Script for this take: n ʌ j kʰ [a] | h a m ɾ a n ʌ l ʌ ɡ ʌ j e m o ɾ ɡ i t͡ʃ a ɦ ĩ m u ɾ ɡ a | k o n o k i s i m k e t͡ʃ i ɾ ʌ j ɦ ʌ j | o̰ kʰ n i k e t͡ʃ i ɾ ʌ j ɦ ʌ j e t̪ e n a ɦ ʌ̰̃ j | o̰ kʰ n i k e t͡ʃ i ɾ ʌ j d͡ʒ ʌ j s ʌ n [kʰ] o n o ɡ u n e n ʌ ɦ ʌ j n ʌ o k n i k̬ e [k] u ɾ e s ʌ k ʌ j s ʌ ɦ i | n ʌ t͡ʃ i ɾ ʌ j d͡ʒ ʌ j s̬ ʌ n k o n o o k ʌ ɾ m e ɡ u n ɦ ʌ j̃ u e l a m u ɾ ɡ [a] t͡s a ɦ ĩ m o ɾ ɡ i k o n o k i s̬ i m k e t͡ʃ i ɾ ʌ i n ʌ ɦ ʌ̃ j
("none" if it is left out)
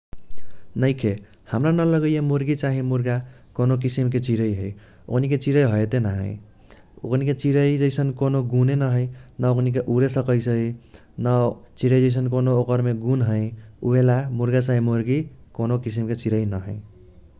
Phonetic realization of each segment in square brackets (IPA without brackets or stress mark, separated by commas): e, k, ʔ, a